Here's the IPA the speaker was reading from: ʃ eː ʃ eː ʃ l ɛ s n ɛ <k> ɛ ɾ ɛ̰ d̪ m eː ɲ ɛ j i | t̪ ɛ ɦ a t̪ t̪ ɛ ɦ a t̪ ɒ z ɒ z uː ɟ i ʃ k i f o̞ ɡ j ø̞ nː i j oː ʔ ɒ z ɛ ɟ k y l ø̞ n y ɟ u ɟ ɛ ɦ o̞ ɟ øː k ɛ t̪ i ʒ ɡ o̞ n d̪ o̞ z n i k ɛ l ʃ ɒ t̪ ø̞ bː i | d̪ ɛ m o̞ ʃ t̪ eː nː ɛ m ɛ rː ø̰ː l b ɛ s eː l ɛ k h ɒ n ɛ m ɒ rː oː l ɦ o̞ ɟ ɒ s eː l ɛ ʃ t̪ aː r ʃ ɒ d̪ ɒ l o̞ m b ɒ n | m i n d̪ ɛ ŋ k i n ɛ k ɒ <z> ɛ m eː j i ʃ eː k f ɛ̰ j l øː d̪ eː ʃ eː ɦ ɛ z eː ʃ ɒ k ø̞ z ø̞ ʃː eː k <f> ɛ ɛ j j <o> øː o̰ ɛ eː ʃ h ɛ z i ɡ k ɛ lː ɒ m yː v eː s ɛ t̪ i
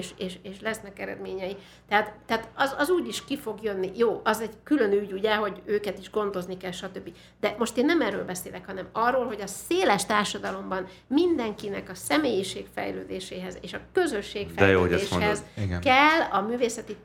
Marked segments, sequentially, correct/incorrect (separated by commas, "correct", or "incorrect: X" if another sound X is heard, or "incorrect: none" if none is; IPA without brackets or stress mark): correct, incorrect: s, correct, correct